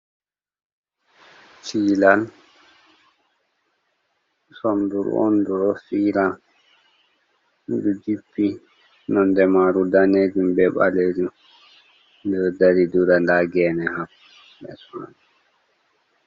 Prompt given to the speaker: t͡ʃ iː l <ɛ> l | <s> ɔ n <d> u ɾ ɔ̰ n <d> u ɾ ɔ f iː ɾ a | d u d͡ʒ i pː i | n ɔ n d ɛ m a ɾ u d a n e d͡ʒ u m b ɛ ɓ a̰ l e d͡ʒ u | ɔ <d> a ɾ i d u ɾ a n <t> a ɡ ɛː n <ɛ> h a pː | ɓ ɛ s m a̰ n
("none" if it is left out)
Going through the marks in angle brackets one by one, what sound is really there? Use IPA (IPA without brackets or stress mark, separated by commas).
a, s, d, d, d, d, ɛ